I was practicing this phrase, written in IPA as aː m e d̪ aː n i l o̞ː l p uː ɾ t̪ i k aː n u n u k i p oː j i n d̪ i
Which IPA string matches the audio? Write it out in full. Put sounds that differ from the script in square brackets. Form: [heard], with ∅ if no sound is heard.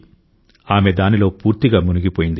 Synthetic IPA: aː m e d̪ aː n i l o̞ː [∅] p uː ɾ t̪ i [ɡ] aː [m] u n u [ɡ] i p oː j i n d̪ i